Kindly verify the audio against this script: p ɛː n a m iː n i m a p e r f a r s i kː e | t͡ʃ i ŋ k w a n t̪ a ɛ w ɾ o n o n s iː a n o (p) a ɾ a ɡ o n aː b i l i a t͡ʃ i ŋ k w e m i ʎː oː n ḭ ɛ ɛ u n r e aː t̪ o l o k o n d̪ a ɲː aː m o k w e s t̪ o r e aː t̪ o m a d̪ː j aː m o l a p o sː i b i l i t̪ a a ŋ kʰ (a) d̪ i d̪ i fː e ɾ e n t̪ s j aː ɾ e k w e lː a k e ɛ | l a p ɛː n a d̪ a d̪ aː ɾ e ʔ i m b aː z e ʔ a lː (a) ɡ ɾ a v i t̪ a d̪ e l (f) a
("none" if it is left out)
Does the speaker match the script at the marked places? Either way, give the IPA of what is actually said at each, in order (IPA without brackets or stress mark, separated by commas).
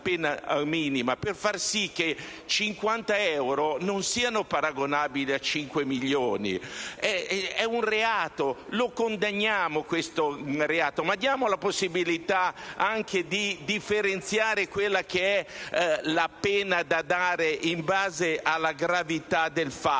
p, e, a, f